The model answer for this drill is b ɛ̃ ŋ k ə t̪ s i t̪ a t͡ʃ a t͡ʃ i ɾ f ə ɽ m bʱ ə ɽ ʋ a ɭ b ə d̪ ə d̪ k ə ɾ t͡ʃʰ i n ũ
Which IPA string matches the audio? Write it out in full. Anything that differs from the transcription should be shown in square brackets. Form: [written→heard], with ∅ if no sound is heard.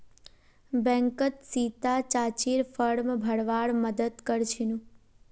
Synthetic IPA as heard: b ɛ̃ ŋ k ə t̪ s i t̪ a t͡ʃ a t͡ʃ i ɾ f ə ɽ m bʱ ə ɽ ʋ a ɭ [b→m] ə d̪ ə d̪ k ə ɾ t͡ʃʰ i n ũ